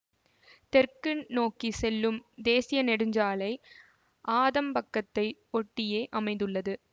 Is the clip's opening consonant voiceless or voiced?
voiceless